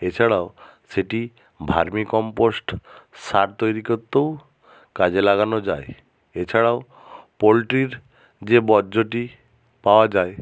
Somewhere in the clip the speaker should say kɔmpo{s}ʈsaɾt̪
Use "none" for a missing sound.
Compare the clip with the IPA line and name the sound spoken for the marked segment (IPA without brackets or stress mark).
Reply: s